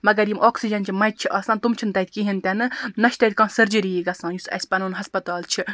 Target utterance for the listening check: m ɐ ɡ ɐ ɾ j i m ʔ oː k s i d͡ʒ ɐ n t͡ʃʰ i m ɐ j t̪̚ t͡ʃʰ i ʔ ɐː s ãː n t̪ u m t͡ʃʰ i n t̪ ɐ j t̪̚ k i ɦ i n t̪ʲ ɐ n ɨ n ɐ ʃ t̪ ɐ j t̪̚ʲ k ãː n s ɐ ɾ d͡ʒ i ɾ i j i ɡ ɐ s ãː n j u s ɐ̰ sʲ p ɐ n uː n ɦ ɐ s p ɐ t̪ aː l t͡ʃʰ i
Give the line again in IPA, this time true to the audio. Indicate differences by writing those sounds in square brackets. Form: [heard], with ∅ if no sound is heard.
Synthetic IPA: m ɐ ɡ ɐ ɾ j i m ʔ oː k s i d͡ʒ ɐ n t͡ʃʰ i m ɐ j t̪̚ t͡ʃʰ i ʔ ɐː s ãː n t̪ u m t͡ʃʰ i n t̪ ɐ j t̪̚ k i ɦ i n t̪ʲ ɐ n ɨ n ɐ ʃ t̪ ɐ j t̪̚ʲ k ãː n s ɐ ɾ d͡ʒ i ɾ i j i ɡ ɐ s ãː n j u s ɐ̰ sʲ p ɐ n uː n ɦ ɐ s p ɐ t̪ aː l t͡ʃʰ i